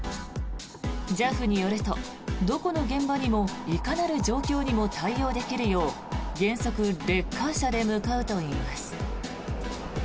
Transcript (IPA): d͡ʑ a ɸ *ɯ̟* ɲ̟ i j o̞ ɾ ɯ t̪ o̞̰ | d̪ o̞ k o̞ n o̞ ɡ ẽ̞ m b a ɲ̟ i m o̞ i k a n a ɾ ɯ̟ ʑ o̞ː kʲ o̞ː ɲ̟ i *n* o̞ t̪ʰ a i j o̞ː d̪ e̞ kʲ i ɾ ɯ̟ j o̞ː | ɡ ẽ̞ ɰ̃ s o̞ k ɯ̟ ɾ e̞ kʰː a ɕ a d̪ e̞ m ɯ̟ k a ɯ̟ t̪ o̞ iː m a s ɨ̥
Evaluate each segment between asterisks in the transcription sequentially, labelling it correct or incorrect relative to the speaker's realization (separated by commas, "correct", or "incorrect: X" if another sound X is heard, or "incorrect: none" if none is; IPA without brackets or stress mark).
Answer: correct, incorrect: m